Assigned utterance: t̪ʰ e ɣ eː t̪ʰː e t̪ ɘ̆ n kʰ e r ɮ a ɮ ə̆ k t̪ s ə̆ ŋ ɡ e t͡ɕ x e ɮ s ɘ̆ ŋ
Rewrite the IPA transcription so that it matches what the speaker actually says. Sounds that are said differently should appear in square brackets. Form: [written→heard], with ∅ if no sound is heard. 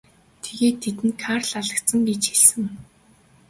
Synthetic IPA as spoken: t̪ʰ e ɣ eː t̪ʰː e t̪ ɘ̆ n kʰ [e→a] r ɮ a ɮ ə̆ k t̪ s ə̆ ŋ ɡ e t͡ɕ x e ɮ s ɘ̆ ŋ